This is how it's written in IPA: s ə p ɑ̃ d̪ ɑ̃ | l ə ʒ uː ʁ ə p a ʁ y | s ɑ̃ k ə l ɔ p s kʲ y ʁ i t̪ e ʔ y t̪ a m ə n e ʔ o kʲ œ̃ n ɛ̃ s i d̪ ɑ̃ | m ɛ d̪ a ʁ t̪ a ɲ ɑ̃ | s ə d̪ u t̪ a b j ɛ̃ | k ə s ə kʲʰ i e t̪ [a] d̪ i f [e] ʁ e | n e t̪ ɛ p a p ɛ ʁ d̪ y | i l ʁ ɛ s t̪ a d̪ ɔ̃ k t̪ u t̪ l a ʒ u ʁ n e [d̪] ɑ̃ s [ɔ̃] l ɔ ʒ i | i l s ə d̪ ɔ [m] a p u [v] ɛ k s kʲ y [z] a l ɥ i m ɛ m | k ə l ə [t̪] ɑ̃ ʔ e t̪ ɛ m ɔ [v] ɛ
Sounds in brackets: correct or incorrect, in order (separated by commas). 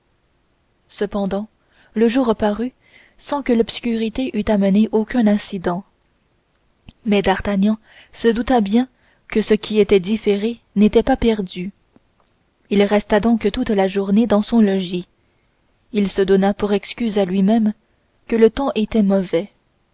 incorrect, correct, correct, correct, incorrect, incorrect, correct, correct, correct